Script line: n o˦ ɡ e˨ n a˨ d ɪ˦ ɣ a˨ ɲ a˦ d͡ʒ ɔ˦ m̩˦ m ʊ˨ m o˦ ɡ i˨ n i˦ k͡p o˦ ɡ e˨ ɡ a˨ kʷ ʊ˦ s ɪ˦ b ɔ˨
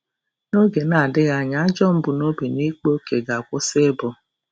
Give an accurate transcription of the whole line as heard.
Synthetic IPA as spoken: n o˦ ɡ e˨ n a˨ d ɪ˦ ɣ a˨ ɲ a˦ d͡ʒ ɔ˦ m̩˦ b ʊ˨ n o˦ b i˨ n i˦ k͡p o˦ k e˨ ɡ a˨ kʷ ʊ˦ s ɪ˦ b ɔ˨